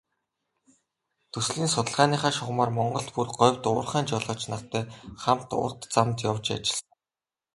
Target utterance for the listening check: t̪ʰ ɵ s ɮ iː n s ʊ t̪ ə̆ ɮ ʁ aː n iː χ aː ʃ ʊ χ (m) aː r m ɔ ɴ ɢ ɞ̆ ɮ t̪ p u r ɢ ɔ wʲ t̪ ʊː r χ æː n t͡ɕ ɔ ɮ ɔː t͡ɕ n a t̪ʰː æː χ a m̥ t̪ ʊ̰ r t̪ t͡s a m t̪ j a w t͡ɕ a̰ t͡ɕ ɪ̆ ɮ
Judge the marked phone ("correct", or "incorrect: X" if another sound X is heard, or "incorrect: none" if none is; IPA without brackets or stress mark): correct